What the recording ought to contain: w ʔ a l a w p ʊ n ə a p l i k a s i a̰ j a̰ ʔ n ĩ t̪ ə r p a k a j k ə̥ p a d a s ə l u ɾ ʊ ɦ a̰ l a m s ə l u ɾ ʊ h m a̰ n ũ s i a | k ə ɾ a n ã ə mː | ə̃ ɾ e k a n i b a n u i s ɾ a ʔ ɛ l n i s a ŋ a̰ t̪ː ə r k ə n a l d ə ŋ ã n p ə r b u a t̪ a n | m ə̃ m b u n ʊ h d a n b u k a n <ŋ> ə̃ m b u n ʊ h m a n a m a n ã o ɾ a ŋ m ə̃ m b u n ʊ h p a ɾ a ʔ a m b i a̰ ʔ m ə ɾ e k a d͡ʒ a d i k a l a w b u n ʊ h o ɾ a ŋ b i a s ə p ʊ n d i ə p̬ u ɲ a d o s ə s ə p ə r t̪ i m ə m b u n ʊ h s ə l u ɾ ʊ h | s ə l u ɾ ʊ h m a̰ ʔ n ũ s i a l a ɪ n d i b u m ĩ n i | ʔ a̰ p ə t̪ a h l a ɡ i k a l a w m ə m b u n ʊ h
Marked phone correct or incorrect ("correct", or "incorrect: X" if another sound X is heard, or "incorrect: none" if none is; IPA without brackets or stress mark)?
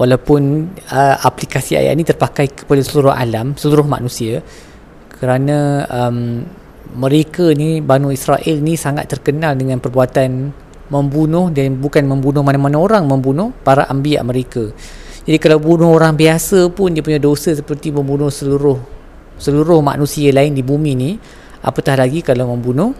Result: incorrect: m